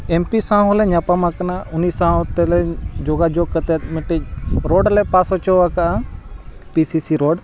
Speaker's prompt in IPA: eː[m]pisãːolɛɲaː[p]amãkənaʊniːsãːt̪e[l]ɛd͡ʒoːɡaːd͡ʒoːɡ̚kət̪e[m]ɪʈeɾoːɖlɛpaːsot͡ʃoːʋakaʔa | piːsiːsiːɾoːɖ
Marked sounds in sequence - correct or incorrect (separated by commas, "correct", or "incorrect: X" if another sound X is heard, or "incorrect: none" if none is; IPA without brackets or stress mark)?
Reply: correct, correct, correct, correct